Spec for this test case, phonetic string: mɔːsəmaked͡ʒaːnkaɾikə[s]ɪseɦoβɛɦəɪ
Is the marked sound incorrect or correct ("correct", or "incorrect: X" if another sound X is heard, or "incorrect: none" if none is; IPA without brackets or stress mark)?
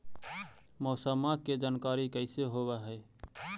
incorrect: none